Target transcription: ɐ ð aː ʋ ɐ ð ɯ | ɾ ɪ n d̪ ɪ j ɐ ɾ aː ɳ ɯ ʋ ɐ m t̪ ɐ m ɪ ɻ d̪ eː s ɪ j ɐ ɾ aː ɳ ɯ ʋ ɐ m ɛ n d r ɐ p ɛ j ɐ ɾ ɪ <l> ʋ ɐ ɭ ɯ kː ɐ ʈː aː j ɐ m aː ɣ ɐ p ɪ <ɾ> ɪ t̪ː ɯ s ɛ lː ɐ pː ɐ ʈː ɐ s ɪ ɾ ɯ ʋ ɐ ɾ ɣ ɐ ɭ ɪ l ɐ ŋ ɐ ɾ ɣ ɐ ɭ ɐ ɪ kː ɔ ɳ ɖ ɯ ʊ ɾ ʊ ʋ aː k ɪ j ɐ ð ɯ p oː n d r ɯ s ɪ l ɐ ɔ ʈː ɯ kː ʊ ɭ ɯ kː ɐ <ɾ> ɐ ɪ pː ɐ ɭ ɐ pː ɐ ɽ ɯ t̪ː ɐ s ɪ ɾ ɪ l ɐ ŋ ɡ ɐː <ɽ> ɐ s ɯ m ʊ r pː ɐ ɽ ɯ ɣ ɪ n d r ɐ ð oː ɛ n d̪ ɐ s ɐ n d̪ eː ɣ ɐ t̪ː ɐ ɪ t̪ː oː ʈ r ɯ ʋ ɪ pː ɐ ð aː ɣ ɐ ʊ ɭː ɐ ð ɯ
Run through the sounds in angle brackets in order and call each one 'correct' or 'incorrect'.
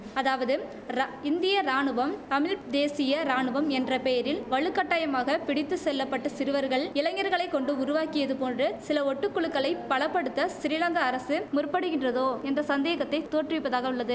correct, incorrect, incorrect, incorrect

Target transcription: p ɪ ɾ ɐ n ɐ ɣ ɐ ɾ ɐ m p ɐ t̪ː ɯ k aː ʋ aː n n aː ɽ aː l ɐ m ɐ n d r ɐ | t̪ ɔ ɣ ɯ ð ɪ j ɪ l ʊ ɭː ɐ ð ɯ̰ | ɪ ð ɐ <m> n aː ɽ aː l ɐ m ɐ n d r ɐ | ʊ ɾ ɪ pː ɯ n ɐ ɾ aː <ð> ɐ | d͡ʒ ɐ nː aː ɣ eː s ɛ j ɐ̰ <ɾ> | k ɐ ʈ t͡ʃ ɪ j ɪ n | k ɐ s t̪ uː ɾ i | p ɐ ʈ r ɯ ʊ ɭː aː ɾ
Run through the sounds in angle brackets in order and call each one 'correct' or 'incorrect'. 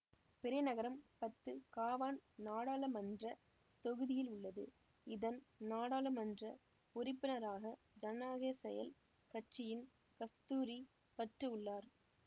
incorrect, incorrect, incorrect

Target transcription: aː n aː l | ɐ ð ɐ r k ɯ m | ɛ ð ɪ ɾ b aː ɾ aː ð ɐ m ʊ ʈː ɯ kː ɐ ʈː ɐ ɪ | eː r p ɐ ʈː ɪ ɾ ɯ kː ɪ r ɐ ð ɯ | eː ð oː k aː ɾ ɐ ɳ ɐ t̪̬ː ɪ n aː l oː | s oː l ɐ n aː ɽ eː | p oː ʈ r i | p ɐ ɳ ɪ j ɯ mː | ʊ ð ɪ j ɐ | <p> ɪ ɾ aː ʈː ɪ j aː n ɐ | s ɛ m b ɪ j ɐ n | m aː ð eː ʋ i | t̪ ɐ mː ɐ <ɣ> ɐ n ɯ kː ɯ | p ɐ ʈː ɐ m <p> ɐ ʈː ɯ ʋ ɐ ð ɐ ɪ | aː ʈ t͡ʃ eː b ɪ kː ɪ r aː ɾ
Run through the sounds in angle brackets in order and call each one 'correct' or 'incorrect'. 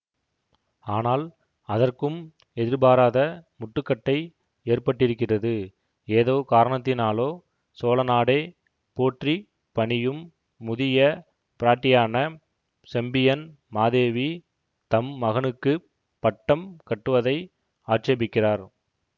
correct, correct, incorrect

